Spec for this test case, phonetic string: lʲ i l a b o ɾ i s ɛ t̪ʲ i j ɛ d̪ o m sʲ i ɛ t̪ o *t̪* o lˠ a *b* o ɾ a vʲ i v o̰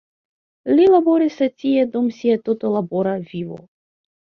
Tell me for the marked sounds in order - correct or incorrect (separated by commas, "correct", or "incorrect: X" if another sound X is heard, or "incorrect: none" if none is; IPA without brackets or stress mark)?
correct, correct